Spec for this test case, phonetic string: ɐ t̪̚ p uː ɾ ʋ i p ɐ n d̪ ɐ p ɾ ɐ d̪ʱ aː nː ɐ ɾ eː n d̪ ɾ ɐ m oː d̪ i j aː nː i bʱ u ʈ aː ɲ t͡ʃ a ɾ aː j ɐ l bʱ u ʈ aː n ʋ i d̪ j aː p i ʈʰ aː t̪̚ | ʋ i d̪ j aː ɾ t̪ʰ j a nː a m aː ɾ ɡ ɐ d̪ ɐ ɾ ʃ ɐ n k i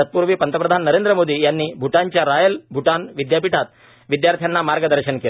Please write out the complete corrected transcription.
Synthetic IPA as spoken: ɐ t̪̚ p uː ɾ ʋ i p ɐ n t̪ ɐ p ɾ ɐ d̪ʱ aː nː ɐ ɾ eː n d̪ ɾ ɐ m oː d̪ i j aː nː i bʱ u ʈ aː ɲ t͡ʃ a ɾ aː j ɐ l bʱ u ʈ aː n ʋ i d̪ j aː p i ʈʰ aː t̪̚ | ʋ i d̪ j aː ɾ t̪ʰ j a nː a m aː ɾ ɡ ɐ d̪ ɐ ɾ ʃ ɐ n k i